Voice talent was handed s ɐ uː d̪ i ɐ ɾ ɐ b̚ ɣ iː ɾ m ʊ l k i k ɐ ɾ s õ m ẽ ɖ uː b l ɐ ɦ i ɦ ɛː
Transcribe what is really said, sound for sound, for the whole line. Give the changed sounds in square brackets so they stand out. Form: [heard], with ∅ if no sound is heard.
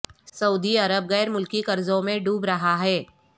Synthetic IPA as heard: s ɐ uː d̪ i ɐ ɾ [ə] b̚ ɣ [ɛː] ɾ m ʊ l k i k ɐ ɾ [z] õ m ẽ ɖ uː b [ɾ] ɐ ɦ [a] ɦ ɛː

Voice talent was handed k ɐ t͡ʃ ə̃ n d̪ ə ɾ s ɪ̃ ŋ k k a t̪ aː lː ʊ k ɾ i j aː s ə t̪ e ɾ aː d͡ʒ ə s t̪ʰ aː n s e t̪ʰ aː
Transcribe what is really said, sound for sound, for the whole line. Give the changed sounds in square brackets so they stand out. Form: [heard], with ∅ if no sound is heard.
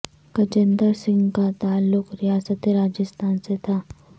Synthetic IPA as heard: k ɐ t͡ʃ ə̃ n d̪ ə ɾ s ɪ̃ ŋ [ɡ] k a t̪ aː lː ʊ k ɾ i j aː s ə t̪ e ɾ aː d͡ʒ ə s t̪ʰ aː n s e t̪ʰ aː

